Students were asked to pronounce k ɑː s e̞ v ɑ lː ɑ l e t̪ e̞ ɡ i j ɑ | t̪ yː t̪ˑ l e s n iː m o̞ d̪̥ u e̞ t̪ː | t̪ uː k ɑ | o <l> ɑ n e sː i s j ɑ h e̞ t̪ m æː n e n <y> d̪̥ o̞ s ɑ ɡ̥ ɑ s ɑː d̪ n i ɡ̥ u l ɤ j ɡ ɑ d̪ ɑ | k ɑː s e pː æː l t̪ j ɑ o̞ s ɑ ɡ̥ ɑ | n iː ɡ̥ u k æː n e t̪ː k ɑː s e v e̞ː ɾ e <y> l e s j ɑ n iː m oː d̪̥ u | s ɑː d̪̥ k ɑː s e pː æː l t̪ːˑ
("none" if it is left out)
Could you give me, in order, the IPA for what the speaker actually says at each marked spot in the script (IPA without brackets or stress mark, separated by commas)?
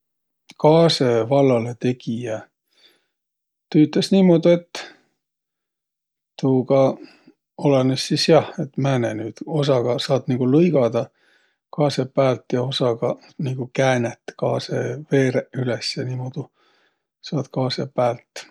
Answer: l, yː, y